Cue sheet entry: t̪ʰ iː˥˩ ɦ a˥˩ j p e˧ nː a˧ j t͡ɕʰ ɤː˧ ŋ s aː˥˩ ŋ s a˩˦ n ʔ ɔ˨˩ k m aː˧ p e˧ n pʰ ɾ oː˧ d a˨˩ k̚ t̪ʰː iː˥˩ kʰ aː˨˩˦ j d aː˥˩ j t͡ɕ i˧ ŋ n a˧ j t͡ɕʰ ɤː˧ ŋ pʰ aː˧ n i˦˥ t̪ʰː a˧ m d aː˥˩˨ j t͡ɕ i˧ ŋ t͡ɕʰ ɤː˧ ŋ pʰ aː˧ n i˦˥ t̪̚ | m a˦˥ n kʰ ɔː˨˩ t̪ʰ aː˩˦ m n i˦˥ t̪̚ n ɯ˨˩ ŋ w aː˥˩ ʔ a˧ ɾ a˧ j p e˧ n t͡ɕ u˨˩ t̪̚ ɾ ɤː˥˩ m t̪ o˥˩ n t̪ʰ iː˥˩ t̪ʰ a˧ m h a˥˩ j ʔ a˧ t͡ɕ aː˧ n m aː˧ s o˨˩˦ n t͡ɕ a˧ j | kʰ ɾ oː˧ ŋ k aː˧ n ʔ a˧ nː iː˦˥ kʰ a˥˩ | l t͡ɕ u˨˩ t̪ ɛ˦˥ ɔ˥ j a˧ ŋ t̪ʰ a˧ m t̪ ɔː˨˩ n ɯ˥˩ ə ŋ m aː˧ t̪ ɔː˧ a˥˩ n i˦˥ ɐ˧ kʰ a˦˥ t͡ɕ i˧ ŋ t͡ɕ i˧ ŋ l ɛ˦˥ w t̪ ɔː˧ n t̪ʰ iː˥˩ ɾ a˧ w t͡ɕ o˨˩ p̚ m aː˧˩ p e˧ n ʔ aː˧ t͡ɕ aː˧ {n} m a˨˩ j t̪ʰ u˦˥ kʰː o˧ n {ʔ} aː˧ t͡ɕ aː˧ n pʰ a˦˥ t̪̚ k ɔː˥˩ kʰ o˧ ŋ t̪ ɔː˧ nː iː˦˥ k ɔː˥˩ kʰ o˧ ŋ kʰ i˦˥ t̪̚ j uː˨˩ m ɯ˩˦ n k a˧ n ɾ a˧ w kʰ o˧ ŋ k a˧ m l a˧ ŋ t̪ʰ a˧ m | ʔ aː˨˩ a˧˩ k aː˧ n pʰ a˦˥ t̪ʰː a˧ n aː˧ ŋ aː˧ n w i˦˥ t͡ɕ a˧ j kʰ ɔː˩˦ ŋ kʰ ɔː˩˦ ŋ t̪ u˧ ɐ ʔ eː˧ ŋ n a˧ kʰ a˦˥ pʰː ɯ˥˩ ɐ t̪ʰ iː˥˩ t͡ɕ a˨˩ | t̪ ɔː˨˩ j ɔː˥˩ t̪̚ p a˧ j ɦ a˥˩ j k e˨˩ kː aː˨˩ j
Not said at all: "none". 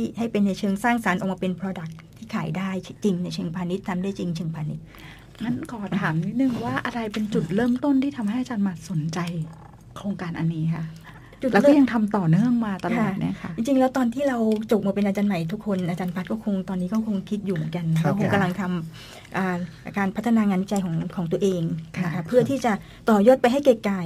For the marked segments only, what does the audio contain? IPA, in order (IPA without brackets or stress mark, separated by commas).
n, ʔ